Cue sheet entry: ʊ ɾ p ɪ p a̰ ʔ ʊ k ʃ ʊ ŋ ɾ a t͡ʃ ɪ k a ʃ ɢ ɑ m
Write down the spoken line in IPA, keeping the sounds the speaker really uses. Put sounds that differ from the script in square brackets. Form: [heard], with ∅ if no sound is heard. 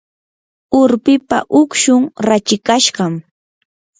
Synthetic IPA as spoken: ʊ ɾ p ɪ p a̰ ʔ ʊ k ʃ ʊ ŋ ɾ a t͡ʃ ɪ k a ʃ ɢ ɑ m